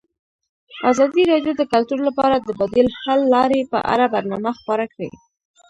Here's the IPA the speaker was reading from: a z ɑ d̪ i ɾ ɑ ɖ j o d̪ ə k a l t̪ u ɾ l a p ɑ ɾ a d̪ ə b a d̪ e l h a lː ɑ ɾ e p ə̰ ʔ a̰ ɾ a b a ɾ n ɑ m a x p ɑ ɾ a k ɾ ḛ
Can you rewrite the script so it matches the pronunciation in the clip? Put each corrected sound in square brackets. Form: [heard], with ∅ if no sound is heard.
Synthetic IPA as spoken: a z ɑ d̪ i ɾ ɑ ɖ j o d̪ ə k a l t̪ u ɾ l a p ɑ ɾ a d̪ ə b a d̪ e l h a lː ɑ ɾ e p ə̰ ʔ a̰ ɾ a b a ɾ n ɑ m a x p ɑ ɾ a k [ɽ] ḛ